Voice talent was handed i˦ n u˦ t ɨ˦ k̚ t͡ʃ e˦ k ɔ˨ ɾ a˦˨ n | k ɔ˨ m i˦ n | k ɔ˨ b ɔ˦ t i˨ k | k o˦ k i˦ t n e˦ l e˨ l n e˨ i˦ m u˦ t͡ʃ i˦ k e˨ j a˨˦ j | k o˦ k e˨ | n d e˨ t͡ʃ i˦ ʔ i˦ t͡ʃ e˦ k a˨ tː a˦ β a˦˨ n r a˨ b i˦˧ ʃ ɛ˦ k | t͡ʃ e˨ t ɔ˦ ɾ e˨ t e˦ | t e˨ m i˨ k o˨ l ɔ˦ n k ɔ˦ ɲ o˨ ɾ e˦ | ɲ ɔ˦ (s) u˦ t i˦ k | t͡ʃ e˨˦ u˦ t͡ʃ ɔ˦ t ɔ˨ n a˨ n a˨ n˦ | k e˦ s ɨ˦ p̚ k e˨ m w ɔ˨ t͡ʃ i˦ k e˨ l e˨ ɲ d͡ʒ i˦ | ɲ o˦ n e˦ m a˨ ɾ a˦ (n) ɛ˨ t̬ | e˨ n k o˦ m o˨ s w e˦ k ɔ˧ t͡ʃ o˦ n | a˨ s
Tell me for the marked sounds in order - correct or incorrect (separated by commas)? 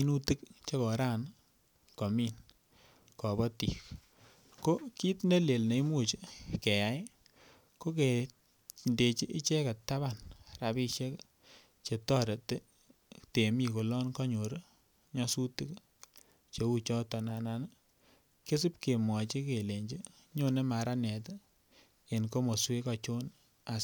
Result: correct, correct